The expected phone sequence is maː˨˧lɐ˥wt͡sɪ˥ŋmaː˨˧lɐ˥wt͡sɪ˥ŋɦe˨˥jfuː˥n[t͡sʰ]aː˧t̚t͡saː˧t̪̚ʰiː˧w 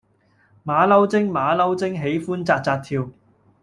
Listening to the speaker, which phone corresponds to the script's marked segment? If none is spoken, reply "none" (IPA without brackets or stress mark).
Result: t͡s